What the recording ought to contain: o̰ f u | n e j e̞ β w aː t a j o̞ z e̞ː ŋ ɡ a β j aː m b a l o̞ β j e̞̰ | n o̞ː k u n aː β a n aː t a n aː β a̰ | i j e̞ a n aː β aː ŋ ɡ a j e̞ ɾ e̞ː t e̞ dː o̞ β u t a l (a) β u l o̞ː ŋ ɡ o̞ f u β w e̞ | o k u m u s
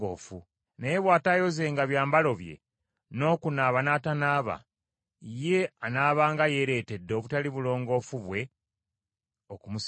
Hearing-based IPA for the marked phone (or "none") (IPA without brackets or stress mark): i